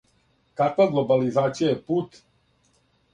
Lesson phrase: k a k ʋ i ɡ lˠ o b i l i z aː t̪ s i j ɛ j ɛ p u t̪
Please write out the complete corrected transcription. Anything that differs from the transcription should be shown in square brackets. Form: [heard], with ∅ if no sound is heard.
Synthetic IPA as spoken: k a k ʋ [a] ɡ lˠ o b [a] l i z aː t̪ s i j [a] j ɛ p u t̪